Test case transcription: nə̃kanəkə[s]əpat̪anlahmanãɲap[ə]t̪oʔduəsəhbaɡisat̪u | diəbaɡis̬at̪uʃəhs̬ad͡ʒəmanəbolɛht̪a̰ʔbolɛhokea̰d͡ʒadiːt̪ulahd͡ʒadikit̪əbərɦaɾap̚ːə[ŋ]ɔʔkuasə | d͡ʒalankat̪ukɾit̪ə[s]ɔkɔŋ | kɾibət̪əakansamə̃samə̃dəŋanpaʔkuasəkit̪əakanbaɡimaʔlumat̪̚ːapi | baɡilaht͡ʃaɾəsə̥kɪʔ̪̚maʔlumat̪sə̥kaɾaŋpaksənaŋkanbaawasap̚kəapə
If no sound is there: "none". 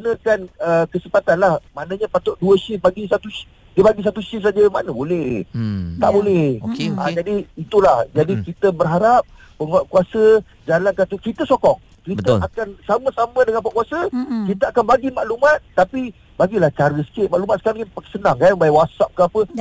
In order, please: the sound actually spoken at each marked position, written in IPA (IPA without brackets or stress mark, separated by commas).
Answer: s, a, ŋ, s